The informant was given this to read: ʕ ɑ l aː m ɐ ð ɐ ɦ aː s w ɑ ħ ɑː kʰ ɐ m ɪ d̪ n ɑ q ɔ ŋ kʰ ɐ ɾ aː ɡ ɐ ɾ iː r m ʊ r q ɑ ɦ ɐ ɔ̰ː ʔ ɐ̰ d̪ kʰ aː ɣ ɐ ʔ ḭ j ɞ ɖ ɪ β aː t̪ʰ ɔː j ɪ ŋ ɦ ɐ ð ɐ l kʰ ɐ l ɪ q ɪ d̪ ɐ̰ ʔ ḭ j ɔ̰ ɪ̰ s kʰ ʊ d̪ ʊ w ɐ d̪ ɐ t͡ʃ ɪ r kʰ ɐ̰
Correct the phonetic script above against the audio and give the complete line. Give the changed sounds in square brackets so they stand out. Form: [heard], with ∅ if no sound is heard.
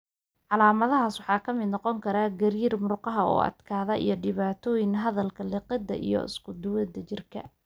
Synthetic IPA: ʕ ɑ l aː m ɐ ð ɐ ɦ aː s w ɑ ħ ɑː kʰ ɐ m ɪ d̪ n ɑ q ɔ ŋ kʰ ɐ ɾ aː ɡ ɐ ɾ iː r m ʊ r q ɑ ɦ ɐ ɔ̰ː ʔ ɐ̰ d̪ kʰ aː [ð] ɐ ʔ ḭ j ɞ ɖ ɪ β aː t̪ʰ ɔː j ɪ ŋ ɦ ɐ ð ɐ l kʰ ɐ l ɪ q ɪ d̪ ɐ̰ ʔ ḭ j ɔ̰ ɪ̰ s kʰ ʊ d̪ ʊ w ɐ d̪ ɐ t͡ʃ ɪ r kʰ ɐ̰